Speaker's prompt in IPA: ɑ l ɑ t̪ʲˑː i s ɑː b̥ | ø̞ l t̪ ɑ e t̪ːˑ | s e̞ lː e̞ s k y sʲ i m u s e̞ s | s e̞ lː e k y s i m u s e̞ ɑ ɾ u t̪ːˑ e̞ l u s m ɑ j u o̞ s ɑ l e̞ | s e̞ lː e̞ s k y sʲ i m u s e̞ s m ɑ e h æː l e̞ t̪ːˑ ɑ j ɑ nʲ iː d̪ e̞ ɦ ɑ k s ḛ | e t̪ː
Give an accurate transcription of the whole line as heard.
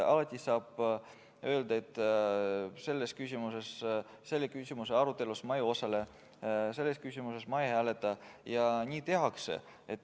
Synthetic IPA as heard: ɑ l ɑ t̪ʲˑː i s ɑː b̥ | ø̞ l d̪ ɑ e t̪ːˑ | s e̞ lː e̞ s k y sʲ i m u s e̞ s | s e̞ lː e k y s i m u s e̞ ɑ ɾ u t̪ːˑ e̞ l u s m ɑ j u o̞ s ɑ l e̞ | s e̞ lː e̞ s k y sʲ i m u s e̞ s m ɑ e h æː l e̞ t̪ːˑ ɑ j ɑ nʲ iː t̪ e̞ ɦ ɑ k s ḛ | e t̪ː